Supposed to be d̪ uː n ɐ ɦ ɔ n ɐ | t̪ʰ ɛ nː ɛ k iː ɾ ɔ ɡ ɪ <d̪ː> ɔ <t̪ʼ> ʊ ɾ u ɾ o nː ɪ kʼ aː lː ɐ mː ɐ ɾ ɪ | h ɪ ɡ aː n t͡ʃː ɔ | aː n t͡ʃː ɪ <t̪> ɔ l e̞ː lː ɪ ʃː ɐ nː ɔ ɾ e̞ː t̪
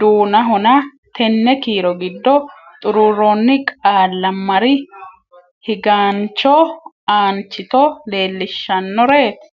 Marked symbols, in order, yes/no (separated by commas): yes, yes, yes